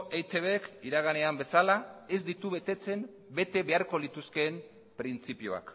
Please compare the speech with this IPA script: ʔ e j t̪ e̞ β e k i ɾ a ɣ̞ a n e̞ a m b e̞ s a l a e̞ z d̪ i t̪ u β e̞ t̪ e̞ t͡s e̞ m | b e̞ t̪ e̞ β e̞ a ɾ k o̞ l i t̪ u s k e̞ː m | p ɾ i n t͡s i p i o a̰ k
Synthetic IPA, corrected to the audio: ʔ e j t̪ e̞ β e k i ɾ a ɣ̞ a n e̞ a m b e̞ s a l a e̞ z d̪ i t̪ u β e̞ t̪ e̞ t͡s e̞ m | b e̞ t̪ e̞ β e̞ a ɾ k o̞ l i t̪ u s k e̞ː m | p ɾ i n t͡s i p i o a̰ k